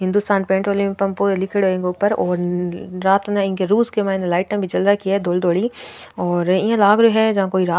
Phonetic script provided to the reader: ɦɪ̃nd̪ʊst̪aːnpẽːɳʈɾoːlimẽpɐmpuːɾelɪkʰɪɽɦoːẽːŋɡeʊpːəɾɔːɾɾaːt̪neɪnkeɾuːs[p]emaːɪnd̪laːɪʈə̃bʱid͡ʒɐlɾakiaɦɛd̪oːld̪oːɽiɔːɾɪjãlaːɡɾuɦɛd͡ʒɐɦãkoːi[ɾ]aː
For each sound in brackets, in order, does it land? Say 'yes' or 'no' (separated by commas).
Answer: no, yes